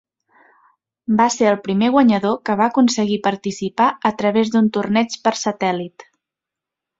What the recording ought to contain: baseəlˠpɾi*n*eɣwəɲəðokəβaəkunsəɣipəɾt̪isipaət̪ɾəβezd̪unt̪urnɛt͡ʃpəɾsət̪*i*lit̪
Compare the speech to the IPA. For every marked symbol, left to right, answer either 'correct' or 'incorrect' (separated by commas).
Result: incorrect, incorrect